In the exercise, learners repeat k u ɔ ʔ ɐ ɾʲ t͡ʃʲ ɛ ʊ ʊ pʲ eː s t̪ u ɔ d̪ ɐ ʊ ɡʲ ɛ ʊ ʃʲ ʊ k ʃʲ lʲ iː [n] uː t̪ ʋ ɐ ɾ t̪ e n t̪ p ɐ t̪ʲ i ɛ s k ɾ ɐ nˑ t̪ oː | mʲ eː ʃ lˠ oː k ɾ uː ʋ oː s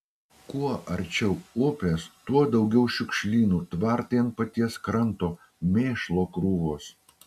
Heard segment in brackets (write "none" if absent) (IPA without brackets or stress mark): n